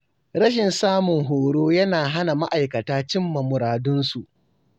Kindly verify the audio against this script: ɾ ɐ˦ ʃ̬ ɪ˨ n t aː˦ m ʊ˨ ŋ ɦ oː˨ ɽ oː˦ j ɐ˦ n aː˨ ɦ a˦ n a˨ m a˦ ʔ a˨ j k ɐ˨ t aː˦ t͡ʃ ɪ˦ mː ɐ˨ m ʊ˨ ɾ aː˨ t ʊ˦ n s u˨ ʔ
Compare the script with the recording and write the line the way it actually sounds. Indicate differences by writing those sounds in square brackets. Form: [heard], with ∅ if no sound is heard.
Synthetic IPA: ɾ ɐ˦ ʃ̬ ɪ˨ n [s] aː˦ m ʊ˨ ŋ ɦ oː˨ ɽ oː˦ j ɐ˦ n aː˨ ɦ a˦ n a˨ m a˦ ʔ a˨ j k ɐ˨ t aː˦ t͡ʃ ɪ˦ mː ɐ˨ m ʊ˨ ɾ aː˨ [d] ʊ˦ n s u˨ ʔ